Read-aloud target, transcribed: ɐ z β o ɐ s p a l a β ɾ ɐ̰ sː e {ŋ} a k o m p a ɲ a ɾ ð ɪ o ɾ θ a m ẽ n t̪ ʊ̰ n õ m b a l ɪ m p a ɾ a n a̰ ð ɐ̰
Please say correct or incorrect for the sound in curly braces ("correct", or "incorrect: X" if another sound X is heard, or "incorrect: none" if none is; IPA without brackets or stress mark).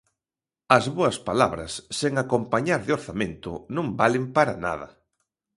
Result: correct